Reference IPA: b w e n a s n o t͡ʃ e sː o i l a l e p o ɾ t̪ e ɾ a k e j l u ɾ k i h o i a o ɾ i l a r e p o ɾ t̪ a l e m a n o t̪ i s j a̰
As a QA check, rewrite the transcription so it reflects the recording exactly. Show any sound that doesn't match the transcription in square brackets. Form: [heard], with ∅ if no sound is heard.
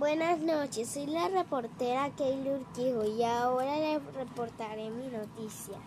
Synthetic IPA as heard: b w e n a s n o t͡ʃ e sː o [j] l a [r] e p o ɾ t̪ e ɾ a k e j l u ɾ k i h o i a o ɾ [a] l [e] r e p o ɾ t̪ a [ɾ] e m [i] n o t̪ i s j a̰